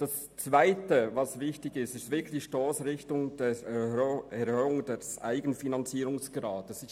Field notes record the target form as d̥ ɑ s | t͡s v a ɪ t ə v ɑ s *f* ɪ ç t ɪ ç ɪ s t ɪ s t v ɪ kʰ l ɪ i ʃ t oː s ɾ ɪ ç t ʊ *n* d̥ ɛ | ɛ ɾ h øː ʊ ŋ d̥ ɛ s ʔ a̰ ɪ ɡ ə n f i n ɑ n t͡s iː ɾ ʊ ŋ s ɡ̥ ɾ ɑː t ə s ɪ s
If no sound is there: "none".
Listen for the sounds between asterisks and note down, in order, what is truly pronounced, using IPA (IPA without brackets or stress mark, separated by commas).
v, ŋ